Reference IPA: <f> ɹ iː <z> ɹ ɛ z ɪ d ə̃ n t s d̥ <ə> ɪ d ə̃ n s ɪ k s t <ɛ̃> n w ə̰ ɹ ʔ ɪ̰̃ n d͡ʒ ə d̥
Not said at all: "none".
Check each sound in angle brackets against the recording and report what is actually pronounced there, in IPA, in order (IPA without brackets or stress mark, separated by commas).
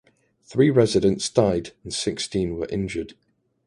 θ, none, a, ĩ